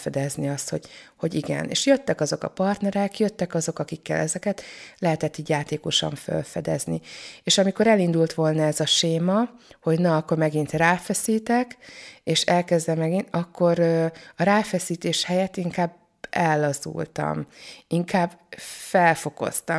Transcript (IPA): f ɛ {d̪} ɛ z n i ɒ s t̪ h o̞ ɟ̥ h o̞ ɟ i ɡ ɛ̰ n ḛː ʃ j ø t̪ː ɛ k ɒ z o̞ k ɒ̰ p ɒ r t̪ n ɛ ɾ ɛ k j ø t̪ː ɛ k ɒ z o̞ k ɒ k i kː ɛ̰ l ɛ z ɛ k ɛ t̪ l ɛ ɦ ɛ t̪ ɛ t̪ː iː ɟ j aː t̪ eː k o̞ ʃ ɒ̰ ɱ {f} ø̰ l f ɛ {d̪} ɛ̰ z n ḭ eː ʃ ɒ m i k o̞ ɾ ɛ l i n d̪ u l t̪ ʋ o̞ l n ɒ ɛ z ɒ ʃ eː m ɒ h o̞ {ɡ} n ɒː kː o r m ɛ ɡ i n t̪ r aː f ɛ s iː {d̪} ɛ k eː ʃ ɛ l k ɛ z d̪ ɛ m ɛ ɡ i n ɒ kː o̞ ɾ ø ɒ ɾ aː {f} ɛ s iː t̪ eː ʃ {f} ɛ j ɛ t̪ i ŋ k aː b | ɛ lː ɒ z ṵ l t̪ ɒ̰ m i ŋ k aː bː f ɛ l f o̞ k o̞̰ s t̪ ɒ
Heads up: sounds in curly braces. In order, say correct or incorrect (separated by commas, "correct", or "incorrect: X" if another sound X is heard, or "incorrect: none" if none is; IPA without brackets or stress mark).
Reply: correct, correct, correct, incorrect: ɟ, incorrect: t̪, correct, incorrect: h